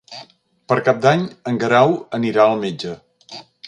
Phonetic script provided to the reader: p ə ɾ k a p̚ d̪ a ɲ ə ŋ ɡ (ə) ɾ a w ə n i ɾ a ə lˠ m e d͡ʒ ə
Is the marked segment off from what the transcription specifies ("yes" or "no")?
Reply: no